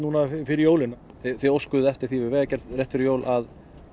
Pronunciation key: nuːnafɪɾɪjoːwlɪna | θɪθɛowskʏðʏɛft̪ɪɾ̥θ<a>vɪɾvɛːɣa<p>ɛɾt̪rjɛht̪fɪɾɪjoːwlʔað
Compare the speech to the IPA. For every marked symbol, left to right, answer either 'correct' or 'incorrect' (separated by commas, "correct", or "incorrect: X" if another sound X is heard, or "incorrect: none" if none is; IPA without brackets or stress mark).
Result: incorrect: i, incorrect: c